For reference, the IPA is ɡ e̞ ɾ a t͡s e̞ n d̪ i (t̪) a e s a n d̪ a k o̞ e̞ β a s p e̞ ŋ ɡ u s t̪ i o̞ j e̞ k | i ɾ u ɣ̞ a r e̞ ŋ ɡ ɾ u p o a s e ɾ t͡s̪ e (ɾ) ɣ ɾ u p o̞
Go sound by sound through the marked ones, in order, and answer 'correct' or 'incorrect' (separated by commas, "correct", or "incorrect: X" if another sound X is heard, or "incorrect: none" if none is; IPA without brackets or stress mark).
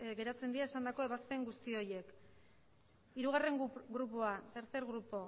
incorrect: none, correct